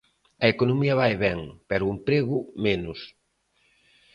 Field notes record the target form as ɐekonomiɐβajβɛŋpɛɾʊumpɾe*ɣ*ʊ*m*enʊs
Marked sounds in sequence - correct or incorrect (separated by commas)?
correct, correct